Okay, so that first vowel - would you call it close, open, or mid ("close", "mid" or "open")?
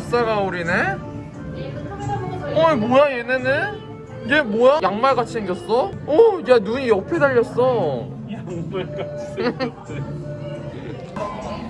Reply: open